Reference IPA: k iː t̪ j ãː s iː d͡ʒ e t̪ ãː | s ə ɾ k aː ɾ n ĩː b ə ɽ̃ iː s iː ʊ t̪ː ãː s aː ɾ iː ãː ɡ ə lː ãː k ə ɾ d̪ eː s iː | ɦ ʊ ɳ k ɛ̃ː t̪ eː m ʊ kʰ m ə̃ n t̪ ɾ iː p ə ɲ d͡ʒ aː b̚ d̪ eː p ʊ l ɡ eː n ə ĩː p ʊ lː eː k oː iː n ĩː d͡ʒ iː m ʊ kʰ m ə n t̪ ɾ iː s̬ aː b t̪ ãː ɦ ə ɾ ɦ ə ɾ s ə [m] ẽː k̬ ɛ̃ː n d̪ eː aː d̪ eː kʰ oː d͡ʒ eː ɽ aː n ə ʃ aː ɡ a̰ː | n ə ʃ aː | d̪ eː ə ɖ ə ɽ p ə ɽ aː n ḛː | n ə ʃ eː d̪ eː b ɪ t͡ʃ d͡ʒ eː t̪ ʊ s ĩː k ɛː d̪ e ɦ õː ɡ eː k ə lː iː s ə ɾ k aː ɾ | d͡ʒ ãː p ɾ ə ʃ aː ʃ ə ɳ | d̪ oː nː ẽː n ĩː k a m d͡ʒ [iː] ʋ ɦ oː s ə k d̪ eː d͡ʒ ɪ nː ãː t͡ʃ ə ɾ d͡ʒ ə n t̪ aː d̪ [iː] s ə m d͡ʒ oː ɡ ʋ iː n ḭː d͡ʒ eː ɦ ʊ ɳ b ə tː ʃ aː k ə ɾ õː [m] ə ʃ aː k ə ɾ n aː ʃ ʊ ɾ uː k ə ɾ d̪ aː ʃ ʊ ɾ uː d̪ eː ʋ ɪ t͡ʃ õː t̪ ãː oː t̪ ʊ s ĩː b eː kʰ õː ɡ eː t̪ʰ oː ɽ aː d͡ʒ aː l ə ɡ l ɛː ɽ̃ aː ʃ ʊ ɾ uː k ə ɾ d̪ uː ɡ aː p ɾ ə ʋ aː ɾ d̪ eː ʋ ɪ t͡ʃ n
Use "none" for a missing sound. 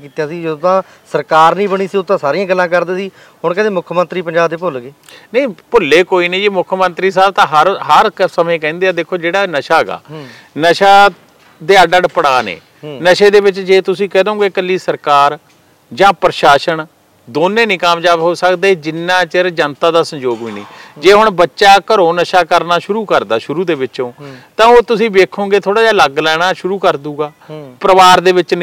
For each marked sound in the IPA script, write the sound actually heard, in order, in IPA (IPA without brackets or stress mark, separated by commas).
m, aː, aː, n